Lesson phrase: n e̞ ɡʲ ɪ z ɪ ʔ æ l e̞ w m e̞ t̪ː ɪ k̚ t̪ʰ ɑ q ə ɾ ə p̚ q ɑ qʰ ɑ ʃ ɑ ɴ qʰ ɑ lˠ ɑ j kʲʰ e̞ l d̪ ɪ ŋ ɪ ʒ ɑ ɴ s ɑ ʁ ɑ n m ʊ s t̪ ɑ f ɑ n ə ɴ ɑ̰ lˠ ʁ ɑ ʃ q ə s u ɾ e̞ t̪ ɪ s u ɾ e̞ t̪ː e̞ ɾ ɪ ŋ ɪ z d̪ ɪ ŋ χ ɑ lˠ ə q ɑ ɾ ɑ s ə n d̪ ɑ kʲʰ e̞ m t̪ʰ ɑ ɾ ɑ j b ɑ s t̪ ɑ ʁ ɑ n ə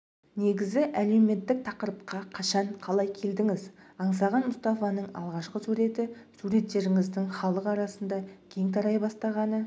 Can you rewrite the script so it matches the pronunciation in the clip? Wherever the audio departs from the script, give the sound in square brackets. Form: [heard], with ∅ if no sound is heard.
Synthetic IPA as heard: n e̞ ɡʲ ɪ z ɪ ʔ æ l e̞ w m e̞ t̪ː ɪ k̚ t̪ʰ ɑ q ə ɾ ə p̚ q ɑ qʰ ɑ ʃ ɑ ɴ qʰ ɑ lˠ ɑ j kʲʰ e̞ l d̪ ɪ ŋ ɪ [z] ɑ ɴ s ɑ ʁ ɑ n m ʊ s t̪ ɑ f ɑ n ə ɴ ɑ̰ lˠ ʁ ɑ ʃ q ə s u ɾ e̞ t̪ ɪ s u ɾ e̞ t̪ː e̞ ɾ ɪ ŋ ɪ z d̪ ɪ ŋ χ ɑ lˠ ə q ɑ ɾ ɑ s ə n d̪ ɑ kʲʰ e̞ [ŋ] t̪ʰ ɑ ɾ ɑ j b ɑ s t̪ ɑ ʁ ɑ n ə

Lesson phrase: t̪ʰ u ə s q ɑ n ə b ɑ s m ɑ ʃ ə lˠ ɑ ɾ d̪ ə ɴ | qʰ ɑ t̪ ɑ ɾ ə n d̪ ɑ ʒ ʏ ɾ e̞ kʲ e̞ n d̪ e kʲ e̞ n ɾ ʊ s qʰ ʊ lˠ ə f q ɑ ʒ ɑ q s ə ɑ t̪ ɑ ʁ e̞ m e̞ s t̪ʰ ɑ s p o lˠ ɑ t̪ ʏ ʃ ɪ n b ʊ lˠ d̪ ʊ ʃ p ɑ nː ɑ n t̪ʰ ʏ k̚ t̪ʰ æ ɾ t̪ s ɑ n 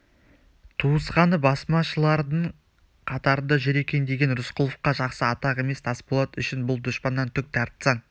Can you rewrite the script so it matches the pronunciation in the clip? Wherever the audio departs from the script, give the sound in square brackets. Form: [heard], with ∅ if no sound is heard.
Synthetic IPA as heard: t̪ʰ u ə s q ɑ n ə b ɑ s m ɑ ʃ ə lˠ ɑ ɾ d̪ ə ɴ | qʰ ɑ t̪ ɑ ɾ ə n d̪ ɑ ʒ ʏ ɾ e̞ kʲ e̞ n d̪ e [ɡʲ] e̞ n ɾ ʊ s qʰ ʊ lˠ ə f q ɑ ʒ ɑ q s ə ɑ t̪ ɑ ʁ e̞ m e̞ s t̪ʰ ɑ s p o lˠ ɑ t̪ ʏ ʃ ɪ n b ʊ lˠ d̪ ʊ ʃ p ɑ nː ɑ n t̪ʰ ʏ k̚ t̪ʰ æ ɾ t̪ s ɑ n

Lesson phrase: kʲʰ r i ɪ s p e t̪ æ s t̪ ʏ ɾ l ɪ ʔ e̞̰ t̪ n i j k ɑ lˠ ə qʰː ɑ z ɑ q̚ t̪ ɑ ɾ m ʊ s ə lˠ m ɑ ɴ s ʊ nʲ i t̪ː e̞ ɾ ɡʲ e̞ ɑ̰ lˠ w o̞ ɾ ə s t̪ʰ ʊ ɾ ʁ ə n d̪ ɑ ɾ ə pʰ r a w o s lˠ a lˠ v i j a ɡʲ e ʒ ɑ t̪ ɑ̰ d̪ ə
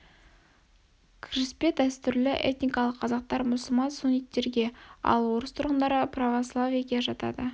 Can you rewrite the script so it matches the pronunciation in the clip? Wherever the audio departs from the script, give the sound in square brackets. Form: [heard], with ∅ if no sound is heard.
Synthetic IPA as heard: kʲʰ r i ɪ s p e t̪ æ s t̪ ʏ ɾ l ɪ ʔ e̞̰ t̪ n i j k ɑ lˠ ə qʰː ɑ z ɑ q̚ t̪ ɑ ɾ m ʊ s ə lˠ m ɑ [n] s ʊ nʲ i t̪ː e̞ ɾ ɡʲ e̞ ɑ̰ lˠ w o̞ ɾ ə s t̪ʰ ʊ ɾ ʁ ə n d̪ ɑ ɾ ə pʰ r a [v] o s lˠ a [∅] v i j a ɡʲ e ʒ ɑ t̪ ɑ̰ d̪ ə

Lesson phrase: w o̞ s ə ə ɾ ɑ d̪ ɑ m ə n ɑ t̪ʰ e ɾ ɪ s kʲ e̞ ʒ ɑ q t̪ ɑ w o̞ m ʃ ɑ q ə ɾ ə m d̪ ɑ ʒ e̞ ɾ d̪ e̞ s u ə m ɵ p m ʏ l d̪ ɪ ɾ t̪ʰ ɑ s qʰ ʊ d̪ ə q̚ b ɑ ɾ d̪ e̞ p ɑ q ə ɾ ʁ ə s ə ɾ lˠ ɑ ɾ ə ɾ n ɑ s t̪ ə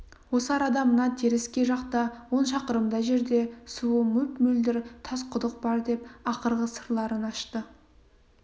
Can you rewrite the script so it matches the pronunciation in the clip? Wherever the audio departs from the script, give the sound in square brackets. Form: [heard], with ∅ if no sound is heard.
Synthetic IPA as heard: w o̞ s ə [ɑ] ɾ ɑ d̪ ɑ m ə n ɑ t̪ʰ e ɾ ɪ s kʲ e̞ ʒ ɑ q t̪ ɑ w o̞ [n] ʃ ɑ q ə ɾ ə m d̪ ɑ ʒ e̞ ɾ d̪ e̞ s u ə m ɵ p m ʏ l d̪ ɪ ɾ t̪ʰ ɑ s qʰ ʊ d̪ ə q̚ b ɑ ɾ d̪ e̞ p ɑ q ə ɾ ʁ ə s ə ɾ lˠ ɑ ɾ ə [∅] n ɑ [ʃ] t̪ ə

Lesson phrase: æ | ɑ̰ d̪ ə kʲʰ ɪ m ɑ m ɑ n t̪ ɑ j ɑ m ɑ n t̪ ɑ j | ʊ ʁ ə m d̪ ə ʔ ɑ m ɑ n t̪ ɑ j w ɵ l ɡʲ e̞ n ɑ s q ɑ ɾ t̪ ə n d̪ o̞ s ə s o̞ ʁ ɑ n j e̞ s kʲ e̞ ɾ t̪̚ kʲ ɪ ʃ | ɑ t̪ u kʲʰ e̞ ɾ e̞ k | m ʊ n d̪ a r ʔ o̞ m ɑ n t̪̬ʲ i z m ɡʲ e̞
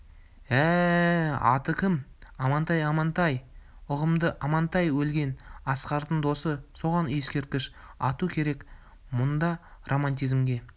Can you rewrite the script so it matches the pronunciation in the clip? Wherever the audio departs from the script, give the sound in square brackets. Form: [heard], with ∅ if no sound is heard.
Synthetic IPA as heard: æ | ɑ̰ [t̪] ə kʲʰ ɪ m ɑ m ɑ n t̪ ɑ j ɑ m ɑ n t̪ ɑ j | ʊ ʁ ə m d̪ ə ʔ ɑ m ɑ n t̪ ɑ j w ɵ l ɡʲ e̞ n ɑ s q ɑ ɾ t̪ ə n d̪ o̞ s ə s o̞ ʁ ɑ n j e̞ s kʲ e̞ ɾ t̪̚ kʲ ɪ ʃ | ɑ t̪ u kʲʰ e̞ ɾ e̞ k | m ʊ n d̪ [ɑ] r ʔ o̞ m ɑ n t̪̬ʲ i z m ɡʲ e̞

